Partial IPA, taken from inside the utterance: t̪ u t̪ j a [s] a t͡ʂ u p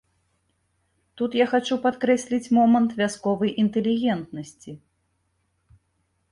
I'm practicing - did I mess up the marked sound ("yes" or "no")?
yes